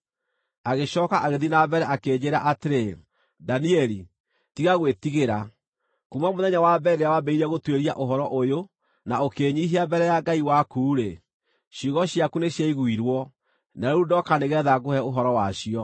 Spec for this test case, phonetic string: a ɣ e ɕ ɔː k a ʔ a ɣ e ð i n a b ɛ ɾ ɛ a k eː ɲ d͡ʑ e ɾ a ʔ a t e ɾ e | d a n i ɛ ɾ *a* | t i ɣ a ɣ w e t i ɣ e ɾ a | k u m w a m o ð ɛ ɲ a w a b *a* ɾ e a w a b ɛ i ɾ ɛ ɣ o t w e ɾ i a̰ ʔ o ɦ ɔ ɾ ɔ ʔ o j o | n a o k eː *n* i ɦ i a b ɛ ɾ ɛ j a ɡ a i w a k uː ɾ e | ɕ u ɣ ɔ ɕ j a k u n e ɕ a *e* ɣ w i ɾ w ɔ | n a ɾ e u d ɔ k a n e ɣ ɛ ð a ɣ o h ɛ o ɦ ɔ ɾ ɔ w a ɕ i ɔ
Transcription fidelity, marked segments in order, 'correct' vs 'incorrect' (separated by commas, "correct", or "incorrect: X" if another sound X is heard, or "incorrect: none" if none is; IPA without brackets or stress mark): incorrect: i, incorrect: ɛ, incorrect: ɲ, incorrect: i